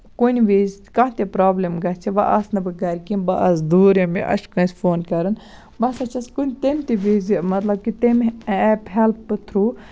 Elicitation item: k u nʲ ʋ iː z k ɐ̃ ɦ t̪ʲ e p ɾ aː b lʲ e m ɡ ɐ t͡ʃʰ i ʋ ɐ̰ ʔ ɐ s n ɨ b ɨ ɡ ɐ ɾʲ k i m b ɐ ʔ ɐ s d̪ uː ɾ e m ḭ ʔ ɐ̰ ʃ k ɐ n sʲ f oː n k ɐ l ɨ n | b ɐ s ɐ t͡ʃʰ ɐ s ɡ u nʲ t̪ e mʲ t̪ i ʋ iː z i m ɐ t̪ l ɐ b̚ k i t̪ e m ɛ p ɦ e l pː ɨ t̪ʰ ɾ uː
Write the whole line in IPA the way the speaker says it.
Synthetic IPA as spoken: k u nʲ ʋ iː z k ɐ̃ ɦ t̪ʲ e p ɾ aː b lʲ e m ɡ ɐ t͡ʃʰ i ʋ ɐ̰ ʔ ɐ s n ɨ b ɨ ɡ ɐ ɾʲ k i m b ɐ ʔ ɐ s d̪ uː ɾ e m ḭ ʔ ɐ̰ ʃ k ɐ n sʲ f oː n k ɐ ɾ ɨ n | b ɐ s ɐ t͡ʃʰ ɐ s k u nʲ t̪ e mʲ t̪ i ʋ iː z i m ɐ t̪ l ɐ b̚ k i t̪ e m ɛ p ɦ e l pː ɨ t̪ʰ ɾ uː